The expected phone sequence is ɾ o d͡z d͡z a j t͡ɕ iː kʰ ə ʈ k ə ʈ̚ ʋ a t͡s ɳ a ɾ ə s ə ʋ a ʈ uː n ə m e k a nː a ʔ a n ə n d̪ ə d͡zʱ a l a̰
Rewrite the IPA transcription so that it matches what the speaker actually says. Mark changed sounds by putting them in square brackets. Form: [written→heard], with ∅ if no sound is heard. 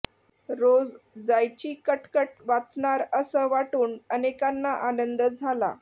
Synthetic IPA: ɾ o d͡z d͡z a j t͡ɕ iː [kʰ→k] ə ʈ k ə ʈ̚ ʋ a t͡s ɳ a ɾ ə s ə ʋ a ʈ uː n ə [m→n] e k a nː a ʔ a n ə n d̪ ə d͡zʱ a l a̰